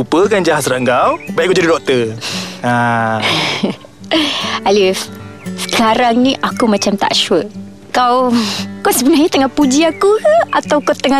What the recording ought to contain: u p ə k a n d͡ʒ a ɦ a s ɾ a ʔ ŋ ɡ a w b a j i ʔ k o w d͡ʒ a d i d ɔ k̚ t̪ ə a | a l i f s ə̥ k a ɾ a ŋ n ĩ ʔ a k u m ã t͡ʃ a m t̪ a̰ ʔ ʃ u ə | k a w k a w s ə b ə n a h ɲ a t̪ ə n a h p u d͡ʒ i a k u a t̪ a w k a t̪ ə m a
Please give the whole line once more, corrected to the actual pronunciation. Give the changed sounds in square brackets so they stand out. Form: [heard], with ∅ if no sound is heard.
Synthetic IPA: u p ə k a n d͡ʒ a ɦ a s ɾ a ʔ ŋ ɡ a w b a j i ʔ k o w d͡ʒ a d i d ɔ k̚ t̪ ə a | a l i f s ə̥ k a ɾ a ŋ n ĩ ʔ a k u m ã t͡ʃ a m t̪ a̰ ʔ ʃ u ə | k a w k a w s ə b ə n a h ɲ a t̪ ə [ŋ] a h p u d͡ʒ i a k u a t̪ a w k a t̪ ə [ŋ] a